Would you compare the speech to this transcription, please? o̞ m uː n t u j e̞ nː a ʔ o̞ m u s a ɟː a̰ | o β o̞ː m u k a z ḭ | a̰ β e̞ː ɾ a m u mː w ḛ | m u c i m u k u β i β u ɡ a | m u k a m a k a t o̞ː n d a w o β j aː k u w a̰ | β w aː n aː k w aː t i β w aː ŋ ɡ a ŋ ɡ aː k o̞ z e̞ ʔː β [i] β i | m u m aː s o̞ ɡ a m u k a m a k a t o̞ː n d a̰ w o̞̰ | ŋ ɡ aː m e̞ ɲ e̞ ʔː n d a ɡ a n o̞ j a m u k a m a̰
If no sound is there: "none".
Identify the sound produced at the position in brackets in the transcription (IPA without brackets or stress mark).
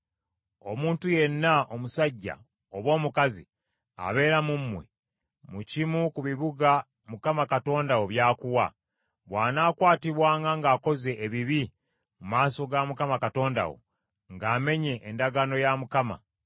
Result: i